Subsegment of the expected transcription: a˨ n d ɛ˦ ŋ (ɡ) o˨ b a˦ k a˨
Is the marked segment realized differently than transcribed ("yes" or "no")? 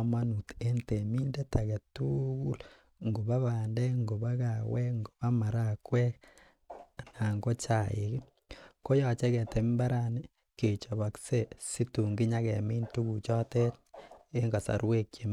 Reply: no